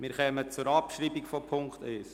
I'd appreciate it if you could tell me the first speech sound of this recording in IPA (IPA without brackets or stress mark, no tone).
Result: m